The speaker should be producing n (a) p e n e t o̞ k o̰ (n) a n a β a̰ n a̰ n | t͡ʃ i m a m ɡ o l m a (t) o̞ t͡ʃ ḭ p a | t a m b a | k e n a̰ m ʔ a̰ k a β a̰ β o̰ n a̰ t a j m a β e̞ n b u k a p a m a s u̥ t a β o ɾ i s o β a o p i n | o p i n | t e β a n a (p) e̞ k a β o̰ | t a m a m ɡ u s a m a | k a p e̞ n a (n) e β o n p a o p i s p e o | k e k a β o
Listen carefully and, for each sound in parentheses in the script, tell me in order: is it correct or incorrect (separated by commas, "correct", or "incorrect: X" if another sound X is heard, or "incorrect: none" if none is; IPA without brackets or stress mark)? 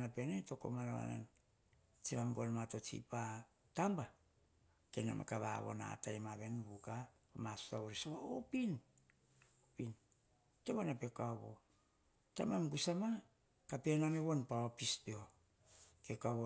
correct, incorrect: m, correct, correct, incorrect: m